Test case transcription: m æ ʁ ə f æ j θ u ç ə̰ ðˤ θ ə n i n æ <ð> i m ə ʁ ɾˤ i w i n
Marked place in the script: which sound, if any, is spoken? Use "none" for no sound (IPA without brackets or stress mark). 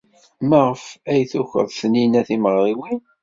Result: θ